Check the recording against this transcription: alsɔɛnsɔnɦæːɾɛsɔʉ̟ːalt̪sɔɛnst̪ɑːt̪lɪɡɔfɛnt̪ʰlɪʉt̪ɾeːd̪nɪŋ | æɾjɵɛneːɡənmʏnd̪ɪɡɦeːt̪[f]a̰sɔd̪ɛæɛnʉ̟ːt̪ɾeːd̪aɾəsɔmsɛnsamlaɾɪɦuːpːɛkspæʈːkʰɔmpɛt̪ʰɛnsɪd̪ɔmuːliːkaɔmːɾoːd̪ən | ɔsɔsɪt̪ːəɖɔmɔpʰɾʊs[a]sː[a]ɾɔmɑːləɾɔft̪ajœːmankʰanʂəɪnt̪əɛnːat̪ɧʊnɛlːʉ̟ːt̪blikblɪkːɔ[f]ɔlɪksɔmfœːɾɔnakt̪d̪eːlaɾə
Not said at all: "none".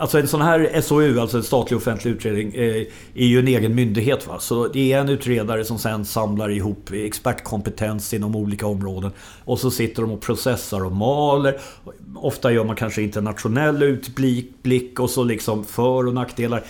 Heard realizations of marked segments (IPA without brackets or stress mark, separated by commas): v, ɛ, a, s